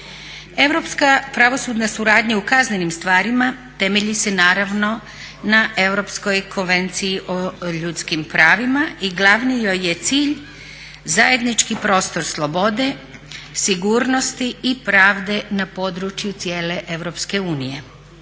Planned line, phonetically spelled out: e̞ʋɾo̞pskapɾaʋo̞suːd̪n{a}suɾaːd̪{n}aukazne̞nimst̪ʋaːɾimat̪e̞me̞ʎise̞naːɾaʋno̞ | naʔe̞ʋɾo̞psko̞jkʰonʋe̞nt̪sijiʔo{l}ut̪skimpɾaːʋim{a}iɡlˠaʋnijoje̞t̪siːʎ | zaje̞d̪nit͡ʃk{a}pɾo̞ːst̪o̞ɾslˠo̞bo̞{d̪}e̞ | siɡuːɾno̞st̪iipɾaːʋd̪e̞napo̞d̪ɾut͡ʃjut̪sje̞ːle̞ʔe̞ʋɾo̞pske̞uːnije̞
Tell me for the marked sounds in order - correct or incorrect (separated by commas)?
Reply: correct, incorrect, incorrect, correct, incorrect, correct